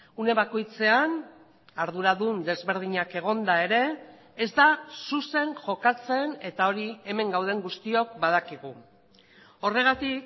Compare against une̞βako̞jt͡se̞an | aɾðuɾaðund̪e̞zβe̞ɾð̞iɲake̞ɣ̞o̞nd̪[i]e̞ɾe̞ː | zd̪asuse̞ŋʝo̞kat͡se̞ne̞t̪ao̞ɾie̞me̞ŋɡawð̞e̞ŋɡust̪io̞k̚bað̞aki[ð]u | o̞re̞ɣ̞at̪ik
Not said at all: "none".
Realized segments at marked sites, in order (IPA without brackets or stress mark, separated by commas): a, ɣ